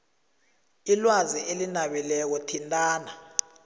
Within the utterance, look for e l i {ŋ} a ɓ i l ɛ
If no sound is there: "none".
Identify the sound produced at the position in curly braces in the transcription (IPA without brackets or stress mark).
n